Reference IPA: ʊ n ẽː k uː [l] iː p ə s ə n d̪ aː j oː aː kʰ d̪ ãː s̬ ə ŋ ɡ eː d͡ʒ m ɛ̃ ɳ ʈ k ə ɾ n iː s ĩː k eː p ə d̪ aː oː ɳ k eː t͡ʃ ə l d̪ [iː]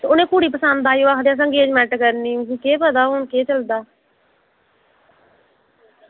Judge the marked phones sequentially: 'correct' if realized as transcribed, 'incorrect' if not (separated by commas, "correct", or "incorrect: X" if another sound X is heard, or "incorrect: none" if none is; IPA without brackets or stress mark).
incorrect: ɽ, incorrect: aː